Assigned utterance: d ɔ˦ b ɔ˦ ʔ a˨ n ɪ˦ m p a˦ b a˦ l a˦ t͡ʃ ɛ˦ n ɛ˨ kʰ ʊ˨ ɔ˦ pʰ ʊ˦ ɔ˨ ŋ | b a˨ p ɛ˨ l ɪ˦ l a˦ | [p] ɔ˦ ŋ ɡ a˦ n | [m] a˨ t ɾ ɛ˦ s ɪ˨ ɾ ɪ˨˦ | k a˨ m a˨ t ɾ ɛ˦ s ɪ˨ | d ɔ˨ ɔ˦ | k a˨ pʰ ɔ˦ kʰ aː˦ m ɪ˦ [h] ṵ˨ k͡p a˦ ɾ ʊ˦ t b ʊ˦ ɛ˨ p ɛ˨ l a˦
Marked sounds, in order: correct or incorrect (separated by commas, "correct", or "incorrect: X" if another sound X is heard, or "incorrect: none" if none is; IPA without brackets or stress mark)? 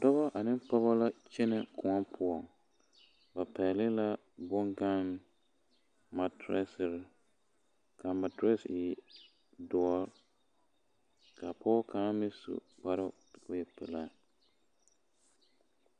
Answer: incorrect: b, correct, incorrect: s